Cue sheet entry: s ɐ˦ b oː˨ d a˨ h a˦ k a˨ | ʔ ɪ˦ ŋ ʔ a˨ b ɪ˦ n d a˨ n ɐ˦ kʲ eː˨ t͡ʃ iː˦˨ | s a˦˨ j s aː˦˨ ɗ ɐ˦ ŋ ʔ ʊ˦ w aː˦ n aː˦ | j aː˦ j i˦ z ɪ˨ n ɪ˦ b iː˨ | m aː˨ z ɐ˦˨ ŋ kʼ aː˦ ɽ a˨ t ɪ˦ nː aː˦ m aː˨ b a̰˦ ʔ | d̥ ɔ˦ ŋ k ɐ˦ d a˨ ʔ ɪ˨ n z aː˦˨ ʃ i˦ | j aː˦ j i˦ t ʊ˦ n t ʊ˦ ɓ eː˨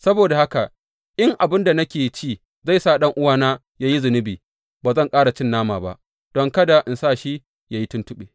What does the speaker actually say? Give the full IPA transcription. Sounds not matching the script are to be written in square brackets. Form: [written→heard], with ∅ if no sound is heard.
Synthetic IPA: s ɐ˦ b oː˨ d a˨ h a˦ k a˨ | ʔ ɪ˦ ŋ ʔ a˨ b ɪ˦ n d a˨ n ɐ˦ kʲ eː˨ t͡ʃ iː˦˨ | [s→z] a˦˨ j s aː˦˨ ɗ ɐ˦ ŋ ʔ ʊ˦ w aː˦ n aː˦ | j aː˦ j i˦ z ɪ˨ n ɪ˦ b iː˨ | [m→b] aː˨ z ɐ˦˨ ŋ kʼ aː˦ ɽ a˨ [t→t͡ʃ] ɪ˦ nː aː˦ m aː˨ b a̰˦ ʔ | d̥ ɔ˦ ŋ k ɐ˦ d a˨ ʔ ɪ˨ n [z→s] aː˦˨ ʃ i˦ | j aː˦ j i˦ t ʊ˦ n t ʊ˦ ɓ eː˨